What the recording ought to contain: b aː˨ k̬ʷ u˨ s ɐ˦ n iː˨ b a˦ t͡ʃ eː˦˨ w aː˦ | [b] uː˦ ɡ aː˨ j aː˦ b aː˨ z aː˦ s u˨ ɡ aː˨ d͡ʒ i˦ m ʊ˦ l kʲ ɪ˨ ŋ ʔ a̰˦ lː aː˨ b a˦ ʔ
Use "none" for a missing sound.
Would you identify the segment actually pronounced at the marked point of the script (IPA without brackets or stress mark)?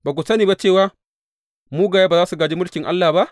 m